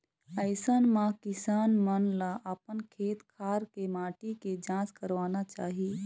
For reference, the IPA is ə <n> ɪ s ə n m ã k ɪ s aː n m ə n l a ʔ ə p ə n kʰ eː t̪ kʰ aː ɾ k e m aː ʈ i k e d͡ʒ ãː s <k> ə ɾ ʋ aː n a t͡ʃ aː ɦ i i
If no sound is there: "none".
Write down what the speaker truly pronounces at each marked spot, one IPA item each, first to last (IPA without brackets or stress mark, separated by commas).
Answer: none, k